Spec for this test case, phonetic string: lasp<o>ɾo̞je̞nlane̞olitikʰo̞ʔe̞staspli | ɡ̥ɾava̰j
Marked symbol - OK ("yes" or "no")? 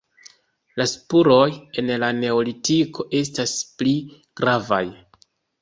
no